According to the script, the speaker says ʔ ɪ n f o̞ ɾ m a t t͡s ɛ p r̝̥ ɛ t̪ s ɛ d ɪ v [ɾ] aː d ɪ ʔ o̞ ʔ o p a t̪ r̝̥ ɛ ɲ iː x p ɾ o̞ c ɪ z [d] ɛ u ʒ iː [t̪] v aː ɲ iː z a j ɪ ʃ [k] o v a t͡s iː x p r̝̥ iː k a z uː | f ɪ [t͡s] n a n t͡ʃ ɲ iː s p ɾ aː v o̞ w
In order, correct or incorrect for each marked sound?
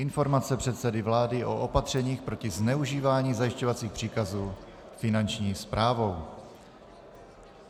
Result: incorrect: l, incorrect: n, incorrect: none, incorrect: c, incorrect: none

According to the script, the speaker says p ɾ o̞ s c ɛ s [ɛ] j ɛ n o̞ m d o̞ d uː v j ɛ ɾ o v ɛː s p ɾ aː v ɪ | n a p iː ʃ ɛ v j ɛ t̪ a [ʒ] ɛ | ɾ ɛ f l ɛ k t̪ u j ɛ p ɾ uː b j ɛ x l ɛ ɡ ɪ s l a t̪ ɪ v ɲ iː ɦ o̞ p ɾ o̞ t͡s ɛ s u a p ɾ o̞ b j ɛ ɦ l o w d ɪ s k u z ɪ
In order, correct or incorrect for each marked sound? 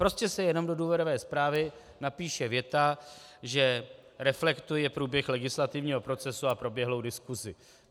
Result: correct, correct

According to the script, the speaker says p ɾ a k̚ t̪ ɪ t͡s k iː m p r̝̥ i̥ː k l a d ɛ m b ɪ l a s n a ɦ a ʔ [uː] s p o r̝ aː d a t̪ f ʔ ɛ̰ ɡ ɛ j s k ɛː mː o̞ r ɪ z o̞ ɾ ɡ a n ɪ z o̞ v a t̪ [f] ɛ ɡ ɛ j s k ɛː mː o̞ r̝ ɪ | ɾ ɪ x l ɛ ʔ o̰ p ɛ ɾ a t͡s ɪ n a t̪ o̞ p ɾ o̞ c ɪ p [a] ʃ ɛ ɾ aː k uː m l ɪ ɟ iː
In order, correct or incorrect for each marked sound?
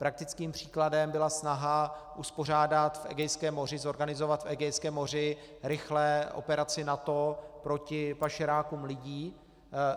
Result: incorrect: u, correct, correct

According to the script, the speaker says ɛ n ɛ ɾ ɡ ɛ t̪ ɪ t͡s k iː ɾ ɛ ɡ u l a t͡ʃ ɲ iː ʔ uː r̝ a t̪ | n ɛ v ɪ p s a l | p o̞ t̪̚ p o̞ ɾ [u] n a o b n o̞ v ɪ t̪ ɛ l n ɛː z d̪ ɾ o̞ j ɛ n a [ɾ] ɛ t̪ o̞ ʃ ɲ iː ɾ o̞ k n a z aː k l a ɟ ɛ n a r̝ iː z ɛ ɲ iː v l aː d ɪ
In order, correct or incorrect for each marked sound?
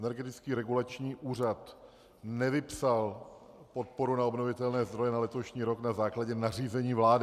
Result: correct, incorrect: l

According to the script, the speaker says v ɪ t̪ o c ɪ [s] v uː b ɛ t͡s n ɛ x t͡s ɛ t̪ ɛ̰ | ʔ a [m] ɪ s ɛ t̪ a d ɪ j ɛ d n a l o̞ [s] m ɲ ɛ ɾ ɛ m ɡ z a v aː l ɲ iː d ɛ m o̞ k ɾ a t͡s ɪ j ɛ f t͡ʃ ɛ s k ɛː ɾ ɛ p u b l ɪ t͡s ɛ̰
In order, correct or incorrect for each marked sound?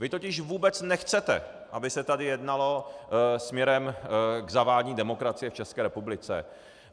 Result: incorrect: ʃ, incorrect: b, correct

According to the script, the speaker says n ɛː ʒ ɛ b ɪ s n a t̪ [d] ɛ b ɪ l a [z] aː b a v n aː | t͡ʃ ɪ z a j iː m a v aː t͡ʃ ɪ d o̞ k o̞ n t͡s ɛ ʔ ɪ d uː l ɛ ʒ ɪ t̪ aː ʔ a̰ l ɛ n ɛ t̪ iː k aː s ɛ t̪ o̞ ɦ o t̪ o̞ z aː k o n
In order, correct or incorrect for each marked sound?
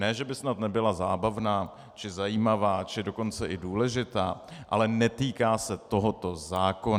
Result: incorrect: n, correct

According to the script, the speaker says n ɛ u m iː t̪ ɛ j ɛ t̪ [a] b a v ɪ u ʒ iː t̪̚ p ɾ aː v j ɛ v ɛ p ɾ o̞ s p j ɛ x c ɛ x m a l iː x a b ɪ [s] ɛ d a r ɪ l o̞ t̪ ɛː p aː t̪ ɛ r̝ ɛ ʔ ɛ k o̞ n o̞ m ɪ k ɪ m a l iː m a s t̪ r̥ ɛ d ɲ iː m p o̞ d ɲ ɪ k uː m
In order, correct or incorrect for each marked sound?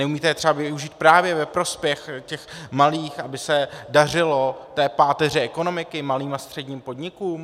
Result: incorrect: ɛ, correct

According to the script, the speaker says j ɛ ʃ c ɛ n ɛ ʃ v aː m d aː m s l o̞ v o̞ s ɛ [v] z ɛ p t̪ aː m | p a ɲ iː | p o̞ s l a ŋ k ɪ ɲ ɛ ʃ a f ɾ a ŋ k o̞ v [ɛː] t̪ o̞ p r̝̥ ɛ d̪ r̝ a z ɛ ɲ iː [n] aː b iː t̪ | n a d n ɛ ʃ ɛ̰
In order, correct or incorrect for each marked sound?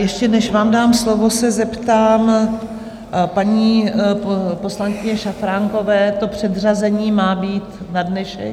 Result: incorrect: none, correct, incorrect: m

